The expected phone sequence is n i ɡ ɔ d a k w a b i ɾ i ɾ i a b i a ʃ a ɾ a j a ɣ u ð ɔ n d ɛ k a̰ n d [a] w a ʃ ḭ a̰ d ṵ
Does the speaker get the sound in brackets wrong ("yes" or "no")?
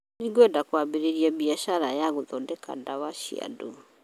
no